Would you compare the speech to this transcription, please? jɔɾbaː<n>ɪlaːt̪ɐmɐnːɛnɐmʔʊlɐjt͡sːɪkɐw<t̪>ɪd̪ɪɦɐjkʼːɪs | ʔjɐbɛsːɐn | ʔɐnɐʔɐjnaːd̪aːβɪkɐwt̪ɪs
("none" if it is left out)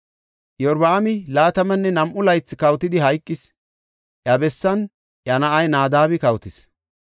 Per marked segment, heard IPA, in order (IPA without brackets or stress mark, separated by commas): m, t̪